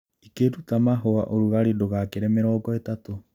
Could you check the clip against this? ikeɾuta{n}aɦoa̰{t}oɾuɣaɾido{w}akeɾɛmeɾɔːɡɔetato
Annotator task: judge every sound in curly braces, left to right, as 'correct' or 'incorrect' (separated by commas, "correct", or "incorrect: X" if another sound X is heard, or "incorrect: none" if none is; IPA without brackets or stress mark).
incorrect: m, incorrect: ʔ, incorrect: ɣ